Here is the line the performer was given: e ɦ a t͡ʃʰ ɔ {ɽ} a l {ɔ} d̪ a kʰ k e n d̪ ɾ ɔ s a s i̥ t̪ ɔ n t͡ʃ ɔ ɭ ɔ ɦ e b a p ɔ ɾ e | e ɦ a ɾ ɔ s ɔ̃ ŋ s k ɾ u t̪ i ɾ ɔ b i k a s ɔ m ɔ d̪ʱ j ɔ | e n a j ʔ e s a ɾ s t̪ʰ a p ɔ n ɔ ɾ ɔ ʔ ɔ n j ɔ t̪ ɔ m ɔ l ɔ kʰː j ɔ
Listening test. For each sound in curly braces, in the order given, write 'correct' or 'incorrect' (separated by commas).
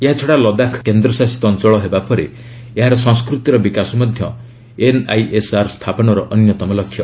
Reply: correct, correct